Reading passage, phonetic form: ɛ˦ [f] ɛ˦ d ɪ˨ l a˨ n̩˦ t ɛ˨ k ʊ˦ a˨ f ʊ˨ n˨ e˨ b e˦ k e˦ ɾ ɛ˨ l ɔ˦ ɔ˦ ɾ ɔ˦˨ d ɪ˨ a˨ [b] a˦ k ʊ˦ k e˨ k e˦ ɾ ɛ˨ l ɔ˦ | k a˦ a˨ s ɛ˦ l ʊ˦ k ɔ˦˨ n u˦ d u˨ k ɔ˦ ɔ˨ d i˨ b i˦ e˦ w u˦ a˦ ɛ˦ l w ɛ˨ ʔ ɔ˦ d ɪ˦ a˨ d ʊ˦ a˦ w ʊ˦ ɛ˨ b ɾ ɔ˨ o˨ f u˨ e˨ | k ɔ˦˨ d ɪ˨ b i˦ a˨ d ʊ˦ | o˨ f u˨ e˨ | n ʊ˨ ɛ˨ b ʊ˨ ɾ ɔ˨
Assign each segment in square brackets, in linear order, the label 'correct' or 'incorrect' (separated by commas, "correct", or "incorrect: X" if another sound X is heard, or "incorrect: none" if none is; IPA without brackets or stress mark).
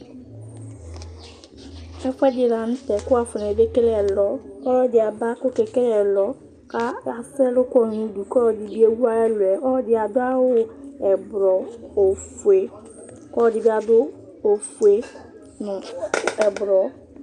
correct, correct